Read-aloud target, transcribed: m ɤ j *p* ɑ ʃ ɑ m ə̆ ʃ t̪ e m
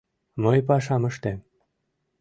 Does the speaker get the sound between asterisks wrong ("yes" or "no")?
no